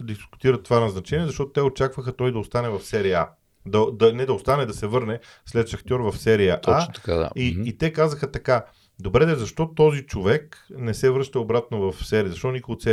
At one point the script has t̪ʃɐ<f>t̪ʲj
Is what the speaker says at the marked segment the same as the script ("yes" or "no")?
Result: no